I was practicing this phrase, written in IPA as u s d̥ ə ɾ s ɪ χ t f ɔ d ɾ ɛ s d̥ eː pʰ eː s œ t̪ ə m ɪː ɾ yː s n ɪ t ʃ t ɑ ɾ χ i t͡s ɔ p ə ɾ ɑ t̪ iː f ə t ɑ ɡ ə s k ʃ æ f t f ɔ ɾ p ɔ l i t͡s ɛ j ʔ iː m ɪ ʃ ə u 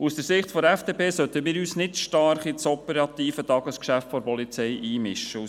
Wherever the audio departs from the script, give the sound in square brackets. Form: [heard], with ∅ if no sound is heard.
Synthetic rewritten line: u s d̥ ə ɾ s ɪ χ t f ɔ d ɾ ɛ [f] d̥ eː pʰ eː s œ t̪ ə m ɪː ɾ yː s n ɪ t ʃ t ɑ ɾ χ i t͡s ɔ p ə ɾ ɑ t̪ iː f ə t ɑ ɡ ə s k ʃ æ f t f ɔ ɾ p ɔ l i t͡s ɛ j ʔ iː m ɪ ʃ ə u